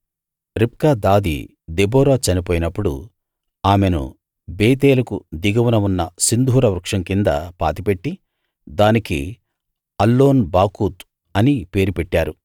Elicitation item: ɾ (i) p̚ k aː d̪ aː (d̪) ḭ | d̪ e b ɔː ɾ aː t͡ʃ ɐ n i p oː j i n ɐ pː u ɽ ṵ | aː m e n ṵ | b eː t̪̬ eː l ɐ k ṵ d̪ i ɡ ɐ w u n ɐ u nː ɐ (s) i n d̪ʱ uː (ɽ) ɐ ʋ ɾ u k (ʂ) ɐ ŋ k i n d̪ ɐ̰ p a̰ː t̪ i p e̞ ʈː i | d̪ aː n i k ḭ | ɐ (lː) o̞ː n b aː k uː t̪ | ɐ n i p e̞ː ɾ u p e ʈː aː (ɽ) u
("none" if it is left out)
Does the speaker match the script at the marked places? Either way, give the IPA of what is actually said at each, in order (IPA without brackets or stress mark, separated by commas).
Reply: i, d̪, s, ɾ, ʂ, lː, ɾ